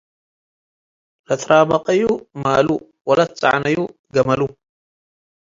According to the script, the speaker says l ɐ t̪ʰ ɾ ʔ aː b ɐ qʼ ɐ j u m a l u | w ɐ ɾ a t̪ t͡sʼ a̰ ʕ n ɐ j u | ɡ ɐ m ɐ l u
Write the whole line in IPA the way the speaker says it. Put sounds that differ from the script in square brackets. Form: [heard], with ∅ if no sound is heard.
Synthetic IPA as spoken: l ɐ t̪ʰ ɾ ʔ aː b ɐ qʼ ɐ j u m a l u | w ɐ [l] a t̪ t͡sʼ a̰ ʕ n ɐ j u | ɡ ɐ m ɐ l u